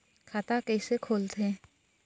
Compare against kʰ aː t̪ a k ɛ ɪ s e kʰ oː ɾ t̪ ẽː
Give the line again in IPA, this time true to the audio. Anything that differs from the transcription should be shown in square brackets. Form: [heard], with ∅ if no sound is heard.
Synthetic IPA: kʰ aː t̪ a k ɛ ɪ s e kʰ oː [l] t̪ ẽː